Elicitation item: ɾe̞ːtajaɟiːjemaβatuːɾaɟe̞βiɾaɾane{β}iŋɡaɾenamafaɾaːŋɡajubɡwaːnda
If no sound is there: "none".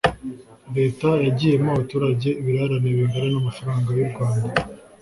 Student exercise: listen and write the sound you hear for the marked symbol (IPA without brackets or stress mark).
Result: β